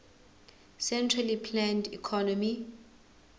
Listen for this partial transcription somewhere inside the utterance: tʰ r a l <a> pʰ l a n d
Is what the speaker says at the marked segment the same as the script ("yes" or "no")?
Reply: no